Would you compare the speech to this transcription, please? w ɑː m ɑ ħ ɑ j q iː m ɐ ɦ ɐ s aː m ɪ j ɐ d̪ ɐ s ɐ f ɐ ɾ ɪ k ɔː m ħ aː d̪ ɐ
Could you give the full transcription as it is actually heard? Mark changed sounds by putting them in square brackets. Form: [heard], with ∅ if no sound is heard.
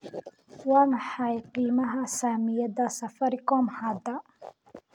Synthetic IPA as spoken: w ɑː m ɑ ħ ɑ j q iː m ɐ ɦ ɐ s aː m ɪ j ɐ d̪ ɐ s ɐ f ɐ ɾ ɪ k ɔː m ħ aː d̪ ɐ